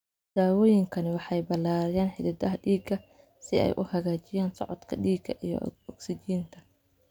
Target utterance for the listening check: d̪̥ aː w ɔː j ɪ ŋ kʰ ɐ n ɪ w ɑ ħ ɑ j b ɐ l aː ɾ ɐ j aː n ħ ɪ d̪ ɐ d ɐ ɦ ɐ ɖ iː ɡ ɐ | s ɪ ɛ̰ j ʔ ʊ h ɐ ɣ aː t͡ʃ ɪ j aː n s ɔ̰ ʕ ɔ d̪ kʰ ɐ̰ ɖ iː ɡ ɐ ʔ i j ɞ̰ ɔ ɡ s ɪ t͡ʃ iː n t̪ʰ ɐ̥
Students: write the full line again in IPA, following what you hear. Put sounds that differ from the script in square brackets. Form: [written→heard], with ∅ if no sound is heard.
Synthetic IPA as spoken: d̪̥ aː w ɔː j ɪ ŋ kʰ ɐ n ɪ w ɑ ħ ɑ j b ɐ l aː ɾ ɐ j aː n ħ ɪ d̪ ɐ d ɐ ɦ ɐ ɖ iː ɡ ɐ | s ɪ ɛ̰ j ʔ ʊ h ɐ ɣ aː t͡ʃ ɪ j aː n s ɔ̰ ʕ ɔ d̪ kʰ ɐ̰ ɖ iː ɡ ɐ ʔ i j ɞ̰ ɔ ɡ s ɪ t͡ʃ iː n t̪ʰ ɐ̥

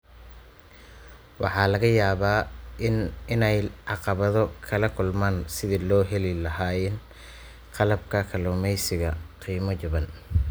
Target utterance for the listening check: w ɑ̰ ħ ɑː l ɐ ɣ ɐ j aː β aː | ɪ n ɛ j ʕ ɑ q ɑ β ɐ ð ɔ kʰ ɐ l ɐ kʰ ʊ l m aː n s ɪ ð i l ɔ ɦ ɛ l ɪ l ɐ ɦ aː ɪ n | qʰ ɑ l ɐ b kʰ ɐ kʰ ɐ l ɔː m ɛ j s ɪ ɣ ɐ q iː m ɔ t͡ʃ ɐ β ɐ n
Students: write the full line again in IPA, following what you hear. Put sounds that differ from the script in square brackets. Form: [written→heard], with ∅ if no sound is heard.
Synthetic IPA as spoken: w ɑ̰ ħ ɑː l ɐ ɣ ɐ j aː β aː | ɪ n ɛ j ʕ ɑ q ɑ β ɐ ð ɔ kʰ ɐ l ɐ kʰ ʊ l m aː n s ɪ ð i l [ɔ→ɔː] ɦ ɛ l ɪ l ɐ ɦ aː ɪ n | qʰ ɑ l ɐ b kʰ ɐ kʰ ɐ l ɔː m ɛ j s ɪ ɣ ɐ q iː m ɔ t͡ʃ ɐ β ɐ n

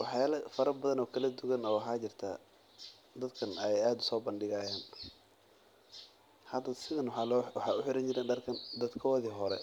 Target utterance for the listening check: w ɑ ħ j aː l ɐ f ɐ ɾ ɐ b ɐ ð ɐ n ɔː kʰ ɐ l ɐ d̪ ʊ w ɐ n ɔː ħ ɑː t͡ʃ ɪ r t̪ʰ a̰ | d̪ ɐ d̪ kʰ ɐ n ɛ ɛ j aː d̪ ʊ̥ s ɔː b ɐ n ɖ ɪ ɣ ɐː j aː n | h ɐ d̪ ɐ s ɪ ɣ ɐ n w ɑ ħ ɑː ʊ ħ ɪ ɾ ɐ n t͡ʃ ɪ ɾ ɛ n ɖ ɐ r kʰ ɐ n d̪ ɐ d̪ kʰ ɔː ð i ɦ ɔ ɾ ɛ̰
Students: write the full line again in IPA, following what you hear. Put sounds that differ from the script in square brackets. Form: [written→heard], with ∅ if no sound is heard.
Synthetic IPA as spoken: w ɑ ħ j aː l ɐ f ɐ ɾ ɐ b ɐ ð ɐ n ɔː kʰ ɐ l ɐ d̪ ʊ [w→ɣ] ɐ n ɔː ħ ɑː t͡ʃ ɪ r t̪ʰ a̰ | d̪ ɐ d̪ kʰ ɐ n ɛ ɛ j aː d̪ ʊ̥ s ɔː b ɐ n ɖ ɪ ɣ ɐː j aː n | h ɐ d̪ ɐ s ɪ [ɣ→ð] ɐ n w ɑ ħ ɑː ʊ ħ ɪ ɾ ɐ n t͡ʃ ɪ ɾ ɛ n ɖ ɐ r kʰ ɐ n d̪ ɐ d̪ kʰ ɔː ð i ɦ ɔ ɾ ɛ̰

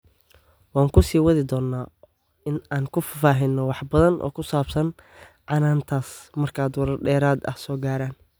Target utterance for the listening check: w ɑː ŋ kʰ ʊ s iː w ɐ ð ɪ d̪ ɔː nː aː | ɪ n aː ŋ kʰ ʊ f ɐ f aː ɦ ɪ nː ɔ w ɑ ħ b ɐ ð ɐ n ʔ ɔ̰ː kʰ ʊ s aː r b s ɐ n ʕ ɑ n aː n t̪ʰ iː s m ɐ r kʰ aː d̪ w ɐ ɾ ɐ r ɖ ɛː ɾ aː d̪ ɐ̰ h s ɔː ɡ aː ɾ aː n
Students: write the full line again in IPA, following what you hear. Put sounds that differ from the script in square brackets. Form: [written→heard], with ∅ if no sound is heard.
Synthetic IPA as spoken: w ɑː ŋ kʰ ʊ s iː w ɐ ð ɪ d̪ ɔː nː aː | ɪ n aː ŋ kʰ ʊ f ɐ f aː ɦ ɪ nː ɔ w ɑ ħ b ɐ ð ɐ n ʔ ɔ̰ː kʰ ʊ s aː [r→∅] b s ɐ n ʕ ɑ n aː n t̪ʰ [iː→aː] s m ɐ r kʰ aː d̪ w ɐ ɾ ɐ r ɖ ɛː ɾ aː d̪ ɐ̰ h s ɔː ɡ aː ɾ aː n

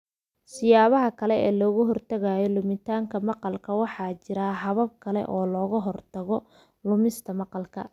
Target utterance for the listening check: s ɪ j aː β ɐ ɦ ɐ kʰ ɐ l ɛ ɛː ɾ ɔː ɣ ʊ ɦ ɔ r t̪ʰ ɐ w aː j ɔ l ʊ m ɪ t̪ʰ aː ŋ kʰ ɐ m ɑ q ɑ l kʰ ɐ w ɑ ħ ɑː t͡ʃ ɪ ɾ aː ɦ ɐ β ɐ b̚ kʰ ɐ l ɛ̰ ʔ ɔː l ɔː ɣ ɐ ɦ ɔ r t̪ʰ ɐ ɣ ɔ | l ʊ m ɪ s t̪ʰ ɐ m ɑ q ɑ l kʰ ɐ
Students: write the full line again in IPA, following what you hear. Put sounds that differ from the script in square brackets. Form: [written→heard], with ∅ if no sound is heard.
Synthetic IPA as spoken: s ɪ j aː β ɐ ɦ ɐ kʰ ɐ l ɛ ɛː [ɾ→l] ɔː ɣ ʊ ɦ ɔ r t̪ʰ ɐ [w→ɣ] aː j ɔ l ʊ m ɪ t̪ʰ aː ŋ kʰ ɐ m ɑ q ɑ l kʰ ɐ w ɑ ħ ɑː t͡ʃ ɪ ɾ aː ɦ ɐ β ɐ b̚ kʰ ɐ l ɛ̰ ʔ ɔː l ɔː ɣ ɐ ɦ ɔ r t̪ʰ ɐ ɣ ɔ | l ʊ m ɪ s t̪ʰ ɐ m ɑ q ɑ l kʰ ɐ

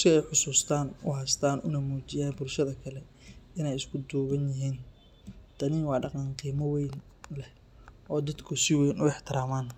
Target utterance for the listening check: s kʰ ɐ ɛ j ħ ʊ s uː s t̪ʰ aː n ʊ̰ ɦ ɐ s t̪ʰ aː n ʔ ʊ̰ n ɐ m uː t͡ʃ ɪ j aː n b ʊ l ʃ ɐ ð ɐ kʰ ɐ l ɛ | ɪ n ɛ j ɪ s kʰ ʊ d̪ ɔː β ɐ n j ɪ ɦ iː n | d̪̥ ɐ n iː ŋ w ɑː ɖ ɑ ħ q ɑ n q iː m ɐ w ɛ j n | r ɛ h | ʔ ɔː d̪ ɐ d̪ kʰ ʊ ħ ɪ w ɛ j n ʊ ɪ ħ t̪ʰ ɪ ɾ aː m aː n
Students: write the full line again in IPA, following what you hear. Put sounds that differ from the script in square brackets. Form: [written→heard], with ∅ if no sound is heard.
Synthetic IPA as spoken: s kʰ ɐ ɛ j ħ ʊ s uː s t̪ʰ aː n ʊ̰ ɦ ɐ s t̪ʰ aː n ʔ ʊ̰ n ɐ m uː t͡ʃ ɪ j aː n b ʊ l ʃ ɐ ð ɐ kʰ ɐ l ɛ | ɪ n ɛ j ɪ s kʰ ʊ d̪ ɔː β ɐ n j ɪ ɦ iː n | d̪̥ ɐ n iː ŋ w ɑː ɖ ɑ [ħ→∅] q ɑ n q iː m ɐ w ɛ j n | [r→l] ɛ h | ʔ ɔː d̪ ɐ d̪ kʰ ʊ [ħ→s] ɪ w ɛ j n ʊ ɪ ħ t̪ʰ ɪ ɾ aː m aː n

